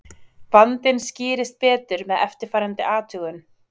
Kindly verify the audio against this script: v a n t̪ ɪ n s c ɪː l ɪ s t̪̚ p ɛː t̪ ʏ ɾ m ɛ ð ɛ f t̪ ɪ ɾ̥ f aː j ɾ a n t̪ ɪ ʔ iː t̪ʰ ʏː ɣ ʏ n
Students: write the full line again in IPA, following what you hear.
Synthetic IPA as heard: v a n t̪ ɪ n s c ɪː ɾ ɪ s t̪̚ p ɛː t̪ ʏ ɾ m ɛ ð ɛ f t̪ ɪ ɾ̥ f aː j ɾ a n t̪ ɪ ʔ aː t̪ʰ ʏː ɣ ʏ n

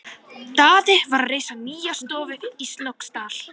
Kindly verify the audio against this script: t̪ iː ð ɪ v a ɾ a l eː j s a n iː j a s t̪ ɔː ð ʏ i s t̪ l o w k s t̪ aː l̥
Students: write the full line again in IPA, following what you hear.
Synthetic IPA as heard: t̪ aː ð ɪ v a ɾ a r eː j s a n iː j a s t̪ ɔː v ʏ i s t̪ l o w k s t̪ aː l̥

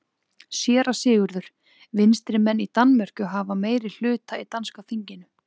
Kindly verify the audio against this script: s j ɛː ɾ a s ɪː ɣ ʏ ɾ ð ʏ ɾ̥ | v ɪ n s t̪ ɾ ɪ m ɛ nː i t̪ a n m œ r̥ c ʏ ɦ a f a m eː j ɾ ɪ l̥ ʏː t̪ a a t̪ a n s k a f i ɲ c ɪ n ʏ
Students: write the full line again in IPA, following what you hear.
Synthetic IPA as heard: s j ɛː ɾ a s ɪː ɣ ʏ ɾ ð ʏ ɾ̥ | v ɪ n s t̪ ɾ ɪ m ɛ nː i t̪ a n m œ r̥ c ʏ ɦ a v a m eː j ɾ ɪ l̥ ʏː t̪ a i t̪ a n s k a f i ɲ c ɪ n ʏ

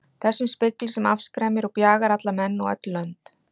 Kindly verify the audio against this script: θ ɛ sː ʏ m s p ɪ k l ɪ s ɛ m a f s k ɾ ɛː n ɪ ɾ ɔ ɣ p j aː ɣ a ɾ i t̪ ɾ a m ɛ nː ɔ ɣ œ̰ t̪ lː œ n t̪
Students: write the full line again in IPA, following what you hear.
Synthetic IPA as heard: θ ɛ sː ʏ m s p ɪ k l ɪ s ɛ m a f s k ɾ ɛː m ɪ ɾ ɔ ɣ p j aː ɣ a ɾ a t̪ l a m ɛ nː ɔ ɣ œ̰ t̪ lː œ n t̪

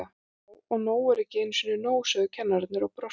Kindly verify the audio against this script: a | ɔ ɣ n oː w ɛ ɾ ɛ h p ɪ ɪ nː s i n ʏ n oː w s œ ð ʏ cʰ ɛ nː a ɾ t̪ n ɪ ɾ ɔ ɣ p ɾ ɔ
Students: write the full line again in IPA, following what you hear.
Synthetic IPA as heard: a | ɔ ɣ n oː w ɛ ɾ ɛ h c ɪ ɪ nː s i n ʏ n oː w s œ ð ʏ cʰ ɛ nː a ɾ t̪ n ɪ ɾ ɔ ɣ p ɾ ɔ

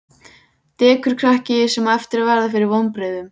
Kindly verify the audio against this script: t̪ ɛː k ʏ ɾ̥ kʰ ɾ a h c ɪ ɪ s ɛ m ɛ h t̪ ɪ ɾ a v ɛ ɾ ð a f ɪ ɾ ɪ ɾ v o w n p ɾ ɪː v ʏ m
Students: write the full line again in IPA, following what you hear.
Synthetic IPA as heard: t̪ ɛː k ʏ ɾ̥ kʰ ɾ a h c ɪ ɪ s ɛ m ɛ f t̪ ɪ ɾ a v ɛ ɾ ð a f ɪ ɾ ɪ ɾ v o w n p ɾ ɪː ð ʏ m

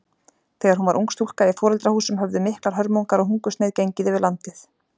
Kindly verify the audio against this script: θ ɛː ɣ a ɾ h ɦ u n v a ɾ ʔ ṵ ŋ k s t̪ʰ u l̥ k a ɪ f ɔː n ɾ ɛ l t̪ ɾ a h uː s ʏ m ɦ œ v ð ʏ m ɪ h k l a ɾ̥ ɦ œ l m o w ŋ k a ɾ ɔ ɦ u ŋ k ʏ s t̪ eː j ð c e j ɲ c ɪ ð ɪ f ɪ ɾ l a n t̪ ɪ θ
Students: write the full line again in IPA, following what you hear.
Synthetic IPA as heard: θ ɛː ɣ a ɾ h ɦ u n v a ɾ ʔ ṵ ŋ k s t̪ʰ u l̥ k a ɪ f ɔː ɾ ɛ l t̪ ɾ a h uː s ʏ m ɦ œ v ð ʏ m ɪ h k l a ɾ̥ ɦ œ ɾ m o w ŋ k a ɾ ɔ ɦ u ŋ k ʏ s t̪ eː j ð c e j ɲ c ɪ ð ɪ v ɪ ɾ l a n t̪ ɪ θ

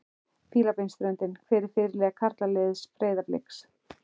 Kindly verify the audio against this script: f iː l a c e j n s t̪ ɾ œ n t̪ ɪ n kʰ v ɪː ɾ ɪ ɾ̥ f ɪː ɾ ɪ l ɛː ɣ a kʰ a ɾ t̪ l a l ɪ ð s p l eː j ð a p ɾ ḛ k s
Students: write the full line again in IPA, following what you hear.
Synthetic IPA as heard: f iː l a p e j n s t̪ ɾ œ n t̪ ɪ n kʰ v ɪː ɾ ɪ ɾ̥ f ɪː ɾ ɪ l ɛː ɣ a kʰ a ɾ t̪ l a l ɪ ð s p ɾ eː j ð a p l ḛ k s

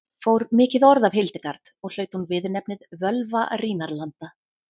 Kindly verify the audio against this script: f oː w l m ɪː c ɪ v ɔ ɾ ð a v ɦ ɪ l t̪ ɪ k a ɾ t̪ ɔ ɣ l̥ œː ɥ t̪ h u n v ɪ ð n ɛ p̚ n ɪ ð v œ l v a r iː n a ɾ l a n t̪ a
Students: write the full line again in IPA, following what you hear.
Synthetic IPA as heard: f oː w ɾ m ɪː c ɪ ð ɔ ɾ ð a v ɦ ɪ l t̪ ɪ k a ɾ t̪ ɔ ɣ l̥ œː ɥ t̪ h u n v ɪ ð n ɛ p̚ n ɪ ð v œ l v a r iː n a ɾ l a n t̪ a

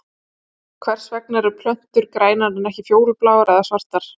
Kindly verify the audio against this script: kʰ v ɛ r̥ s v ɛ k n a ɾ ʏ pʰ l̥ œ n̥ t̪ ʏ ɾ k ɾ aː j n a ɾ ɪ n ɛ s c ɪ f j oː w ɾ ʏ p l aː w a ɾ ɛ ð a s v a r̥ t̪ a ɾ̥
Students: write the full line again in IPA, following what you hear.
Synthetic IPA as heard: kʰ v ɛ r̥ s v ɛ k n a ɾ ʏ pʰ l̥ œ n̥ t̪ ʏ ɾ k ɾ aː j n a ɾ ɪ n ɛ h c ɪ f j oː w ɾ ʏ p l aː w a ɾ ɛ ð a s v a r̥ t̪ a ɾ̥

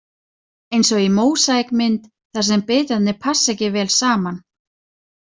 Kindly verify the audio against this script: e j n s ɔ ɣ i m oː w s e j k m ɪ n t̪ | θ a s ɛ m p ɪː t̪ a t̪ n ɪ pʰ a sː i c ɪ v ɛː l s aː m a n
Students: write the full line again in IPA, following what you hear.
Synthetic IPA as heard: e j n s ɔ ɣ i m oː w s a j k m ɪ n t̪ | θ a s ɛ m p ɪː t̪ a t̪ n ɪ pʰ a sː ɛ c ɪ v ɛː l s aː m a n

